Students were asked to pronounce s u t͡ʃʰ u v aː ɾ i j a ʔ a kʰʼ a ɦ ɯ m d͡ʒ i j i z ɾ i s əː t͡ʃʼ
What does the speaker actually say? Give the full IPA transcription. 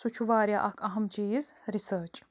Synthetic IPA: s u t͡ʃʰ u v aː ɾ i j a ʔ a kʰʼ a ɦ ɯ m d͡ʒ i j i z ɾ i s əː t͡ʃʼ